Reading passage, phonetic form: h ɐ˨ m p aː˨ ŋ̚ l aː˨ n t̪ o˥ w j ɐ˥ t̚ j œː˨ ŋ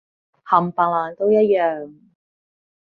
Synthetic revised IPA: h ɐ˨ m p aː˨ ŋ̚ l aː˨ n t̪ o˥ w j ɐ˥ t̚ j œː˨ ŋ